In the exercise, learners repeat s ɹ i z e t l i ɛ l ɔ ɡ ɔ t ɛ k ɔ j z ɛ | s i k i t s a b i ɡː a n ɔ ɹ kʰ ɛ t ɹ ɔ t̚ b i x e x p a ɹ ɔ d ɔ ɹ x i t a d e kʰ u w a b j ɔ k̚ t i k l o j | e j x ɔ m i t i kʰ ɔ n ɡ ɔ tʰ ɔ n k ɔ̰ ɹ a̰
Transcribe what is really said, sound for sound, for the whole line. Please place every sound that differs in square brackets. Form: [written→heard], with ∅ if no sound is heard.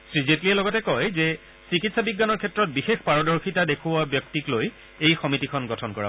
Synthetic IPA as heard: s ɹ i z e t l i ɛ l ɔ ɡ ɔ t ɛ k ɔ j z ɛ | s i k i t s a b i ɡː a n ɔ ɹ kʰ ɛ t ɹ ɔ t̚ b i x e x p a ɹ ɔ d ɔ ɹ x i t a d e kʰ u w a b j ɔ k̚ t i k l o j | e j x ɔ m i t i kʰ ɔ n ɡ ɔ tʰ ɔ n k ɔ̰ ɹ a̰

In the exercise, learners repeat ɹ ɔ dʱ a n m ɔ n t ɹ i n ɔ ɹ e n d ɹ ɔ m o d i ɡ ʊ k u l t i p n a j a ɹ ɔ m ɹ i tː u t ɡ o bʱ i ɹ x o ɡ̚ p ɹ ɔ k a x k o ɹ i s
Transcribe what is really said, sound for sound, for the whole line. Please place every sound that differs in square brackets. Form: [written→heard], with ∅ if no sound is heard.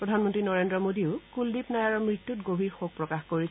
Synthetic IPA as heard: ɹ ɔ dʱ a n m ɔ n t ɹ i n ɔ ɹ e n d ɹ ɔ m o d i [ɡ→∅] ʊ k u l [t→d] i p n a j a ɹ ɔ m ɹ i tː u t ɡ o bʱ i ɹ x o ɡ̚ p ɹ ɔ k a x k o ɹ i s

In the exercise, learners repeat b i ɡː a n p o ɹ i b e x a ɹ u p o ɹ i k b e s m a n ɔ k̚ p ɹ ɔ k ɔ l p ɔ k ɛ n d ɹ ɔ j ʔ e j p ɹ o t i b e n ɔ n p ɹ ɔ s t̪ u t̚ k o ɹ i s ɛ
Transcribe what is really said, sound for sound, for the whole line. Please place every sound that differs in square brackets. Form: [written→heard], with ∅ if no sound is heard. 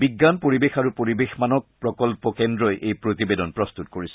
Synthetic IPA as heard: b i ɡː a n p o ɹ i b e x a ɹ u p o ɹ i [k→∅] b e [s→x] m a n ɔ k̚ p ɹ ɔ k ɔ l p ɔ k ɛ n d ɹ ɔ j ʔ e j p ɹ o t i b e [n→d] ɔ n p ɹ ɔ s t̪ u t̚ k o ɹ i s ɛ

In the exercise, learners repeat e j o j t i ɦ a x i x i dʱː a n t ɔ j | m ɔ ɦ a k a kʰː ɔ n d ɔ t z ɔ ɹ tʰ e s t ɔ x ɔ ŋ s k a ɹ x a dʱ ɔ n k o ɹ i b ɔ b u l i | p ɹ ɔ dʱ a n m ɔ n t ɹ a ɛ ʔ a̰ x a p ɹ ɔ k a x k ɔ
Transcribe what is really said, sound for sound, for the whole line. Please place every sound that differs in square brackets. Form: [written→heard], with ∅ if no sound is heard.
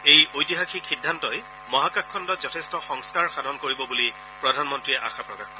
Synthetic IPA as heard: e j o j t i ɦ a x i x i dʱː a n t ɔ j | m ɔ ɦ a k a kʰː ɔ n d ɔ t z ɔ [ɹ→∅] tʰ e s t ɔ x ɔ ŋ s k a ɹ x a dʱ ɔ n k o ɹ i b ɔ b u l i | p ɹ ɔ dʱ a n m ɔ n t ɹ [a→i] ɛ ʔ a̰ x a p ɹ ɔ k a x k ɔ

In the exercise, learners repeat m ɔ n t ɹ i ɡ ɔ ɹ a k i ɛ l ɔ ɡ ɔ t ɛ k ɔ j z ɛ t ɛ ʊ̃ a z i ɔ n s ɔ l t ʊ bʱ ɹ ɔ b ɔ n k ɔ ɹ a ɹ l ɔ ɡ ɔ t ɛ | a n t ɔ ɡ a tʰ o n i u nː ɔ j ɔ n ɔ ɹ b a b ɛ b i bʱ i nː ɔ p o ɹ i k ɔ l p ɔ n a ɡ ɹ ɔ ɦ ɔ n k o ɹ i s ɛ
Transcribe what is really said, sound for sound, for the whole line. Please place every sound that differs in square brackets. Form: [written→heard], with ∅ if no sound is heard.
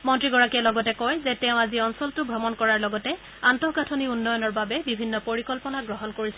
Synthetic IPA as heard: m ɔ n t ɹ i ɡ ɔ ɹ a k i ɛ l ɔ ɡ ɔ t ɛ k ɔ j z ɛ t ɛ ʊ̃ a z i ɔ n s ɔ l t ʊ bʱ ɹ ɔ [b→m] ɔ n k ɔ ɹ a ɹ l ɔ ɡ ɔ t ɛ | a n t ɔ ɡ a tʰ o n i u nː ɔ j ɔ n ɔ ɹ b a b ɛ b i bʱ i nː ɔ p o ɹ i k ɔ l p ɔ n a ɡ ɹ ɔ ɦ ɔ n k o ɹ i s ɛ

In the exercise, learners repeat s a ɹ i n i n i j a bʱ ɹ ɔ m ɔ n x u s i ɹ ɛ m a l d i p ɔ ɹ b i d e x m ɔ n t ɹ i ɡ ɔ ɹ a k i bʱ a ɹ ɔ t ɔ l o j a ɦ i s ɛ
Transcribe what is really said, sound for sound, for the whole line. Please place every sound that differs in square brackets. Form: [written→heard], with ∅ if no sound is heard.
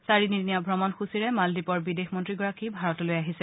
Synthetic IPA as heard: s a ɹ i n i n i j a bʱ ɹ ɔ m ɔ n x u s i ɹ ɛ m a l d i p ɔ ɹ b i d e x m ɔ n t ɹ i ɡ ɔ ɹ a k i bʱ a ɹ ɔ t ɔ l o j a ɦ i s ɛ

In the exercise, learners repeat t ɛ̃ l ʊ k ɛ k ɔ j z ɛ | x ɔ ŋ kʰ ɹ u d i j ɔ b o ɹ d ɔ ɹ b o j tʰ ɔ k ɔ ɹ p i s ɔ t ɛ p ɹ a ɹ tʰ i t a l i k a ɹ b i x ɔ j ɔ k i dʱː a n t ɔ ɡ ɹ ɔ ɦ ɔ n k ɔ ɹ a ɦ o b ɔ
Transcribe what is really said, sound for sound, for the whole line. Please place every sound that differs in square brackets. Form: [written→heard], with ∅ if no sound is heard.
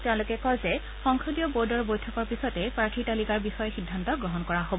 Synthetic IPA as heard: t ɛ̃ l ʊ k ɛ k ɔ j z ɛ | x ɔ ŋ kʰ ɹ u d i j ɔ b o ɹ d ɔ ɹ b o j tʰ ɔ k ɔ ɹ p i s ɔ t ɛ p ɹ a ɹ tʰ i t a l i k a ɹ b i x ɔ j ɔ [k→x] i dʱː a n t ɔ ɡ ɹ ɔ ɦ ɔ n k ɔ ɹ a ɦ o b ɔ

